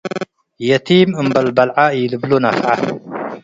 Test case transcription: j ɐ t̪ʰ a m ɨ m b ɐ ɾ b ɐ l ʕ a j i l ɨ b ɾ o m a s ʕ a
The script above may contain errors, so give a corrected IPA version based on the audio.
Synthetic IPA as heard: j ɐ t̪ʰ i m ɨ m b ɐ l b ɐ l ʕ a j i l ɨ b l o n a f ʕ a